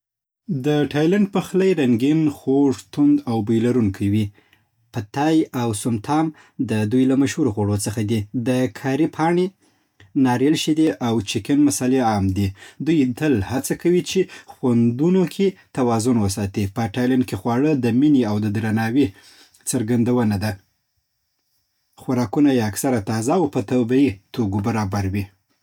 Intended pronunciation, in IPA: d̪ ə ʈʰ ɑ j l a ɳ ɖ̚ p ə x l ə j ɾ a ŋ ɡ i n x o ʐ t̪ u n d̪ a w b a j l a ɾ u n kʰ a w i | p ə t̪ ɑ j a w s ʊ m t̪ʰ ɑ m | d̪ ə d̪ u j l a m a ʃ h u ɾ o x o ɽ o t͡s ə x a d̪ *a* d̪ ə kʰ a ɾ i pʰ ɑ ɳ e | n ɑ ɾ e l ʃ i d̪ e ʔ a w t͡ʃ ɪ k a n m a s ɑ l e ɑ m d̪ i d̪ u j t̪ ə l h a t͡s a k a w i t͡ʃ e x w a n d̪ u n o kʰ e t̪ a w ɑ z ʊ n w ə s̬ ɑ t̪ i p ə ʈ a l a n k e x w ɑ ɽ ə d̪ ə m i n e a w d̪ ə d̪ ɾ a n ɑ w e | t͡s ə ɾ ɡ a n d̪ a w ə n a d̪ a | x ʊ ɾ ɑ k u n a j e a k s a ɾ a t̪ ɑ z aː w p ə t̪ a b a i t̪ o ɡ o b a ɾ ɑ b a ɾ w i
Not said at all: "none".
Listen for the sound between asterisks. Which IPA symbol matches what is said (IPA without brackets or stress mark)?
i